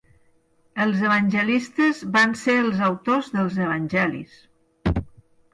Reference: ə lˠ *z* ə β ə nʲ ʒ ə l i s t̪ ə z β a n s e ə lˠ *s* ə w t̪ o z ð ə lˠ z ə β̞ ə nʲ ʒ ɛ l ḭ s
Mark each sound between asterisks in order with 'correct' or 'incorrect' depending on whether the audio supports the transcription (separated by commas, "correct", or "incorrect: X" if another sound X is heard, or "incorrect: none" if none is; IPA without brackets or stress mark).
correct, incorrect: z